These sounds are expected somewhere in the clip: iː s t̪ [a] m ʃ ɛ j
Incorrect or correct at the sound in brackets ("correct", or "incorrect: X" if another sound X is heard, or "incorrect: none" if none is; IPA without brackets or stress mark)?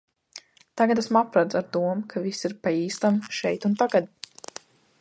correct